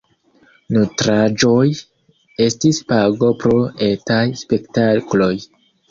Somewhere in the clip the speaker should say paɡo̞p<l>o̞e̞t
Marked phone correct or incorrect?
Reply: incorrect